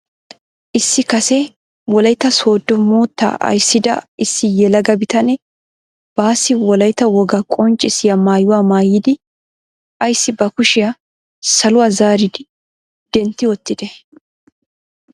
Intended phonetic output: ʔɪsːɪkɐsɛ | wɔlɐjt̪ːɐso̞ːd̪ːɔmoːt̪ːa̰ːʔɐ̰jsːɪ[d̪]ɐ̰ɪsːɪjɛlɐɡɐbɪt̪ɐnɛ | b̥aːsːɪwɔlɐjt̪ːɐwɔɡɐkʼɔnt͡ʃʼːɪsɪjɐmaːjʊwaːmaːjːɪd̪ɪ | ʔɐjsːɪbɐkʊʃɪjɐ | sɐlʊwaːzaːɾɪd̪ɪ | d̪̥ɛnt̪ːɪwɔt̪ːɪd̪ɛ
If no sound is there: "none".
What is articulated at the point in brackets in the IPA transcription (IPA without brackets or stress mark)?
d̪